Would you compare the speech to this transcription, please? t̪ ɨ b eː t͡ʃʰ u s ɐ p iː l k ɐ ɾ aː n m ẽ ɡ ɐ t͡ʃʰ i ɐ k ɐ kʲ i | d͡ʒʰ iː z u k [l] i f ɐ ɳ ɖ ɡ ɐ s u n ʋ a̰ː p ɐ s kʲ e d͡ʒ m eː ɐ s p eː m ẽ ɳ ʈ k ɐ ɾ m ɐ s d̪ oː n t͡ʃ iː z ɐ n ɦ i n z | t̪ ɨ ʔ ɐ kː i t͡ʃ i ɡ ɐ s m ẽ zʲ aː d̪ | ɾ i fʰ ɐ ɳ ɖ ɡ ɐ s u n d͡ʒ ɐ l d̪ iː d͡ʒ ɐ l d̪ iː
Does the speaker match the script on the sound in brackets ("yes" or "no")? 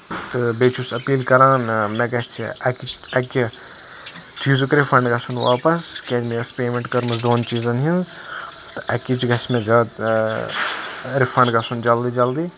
no